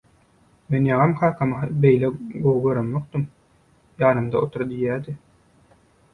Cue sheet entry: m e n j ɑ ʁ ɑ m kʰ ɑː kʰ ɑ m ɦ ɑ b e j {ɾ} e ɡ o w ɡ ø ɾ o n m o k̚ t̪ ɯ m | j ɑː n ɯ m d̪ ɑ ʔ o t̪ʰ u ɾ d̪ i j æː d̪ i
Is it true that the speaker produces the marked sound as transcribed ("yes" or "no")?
no